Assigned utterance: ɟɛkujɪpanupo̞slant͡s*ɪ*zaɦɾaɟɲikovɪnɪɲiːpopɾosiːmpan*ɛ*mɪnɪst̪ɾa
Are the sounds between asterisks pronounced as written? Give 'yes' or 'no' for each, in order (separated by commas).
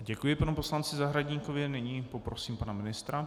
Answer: yes, no